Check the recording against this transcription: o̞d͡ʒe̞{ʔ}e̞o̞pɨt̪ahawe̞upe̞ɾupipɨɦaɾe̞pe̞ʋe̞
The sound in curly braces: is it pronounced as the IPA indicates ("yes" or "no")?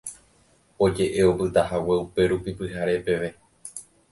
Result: yes